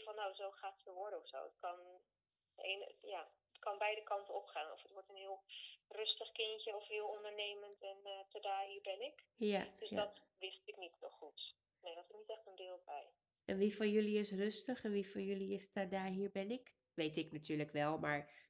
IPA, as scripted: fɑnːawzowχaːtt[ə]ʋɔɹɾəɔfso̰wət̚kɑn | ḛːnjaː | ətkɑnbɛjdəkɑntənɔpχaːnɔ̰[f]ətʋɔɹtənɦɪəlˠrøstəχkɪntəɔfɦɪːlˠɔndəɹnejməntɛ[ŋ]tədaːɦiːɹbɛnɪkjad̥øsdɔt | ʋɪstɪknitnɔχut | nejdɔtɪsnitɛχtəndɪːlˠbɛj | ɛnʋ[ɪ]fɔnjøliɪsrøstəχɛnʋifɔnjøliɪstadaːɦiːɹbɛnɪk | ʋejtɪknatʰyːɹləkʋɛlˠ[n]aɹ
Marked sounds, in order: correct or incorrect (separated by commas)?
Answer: correct, correct, incorrect, incorrect, incorrect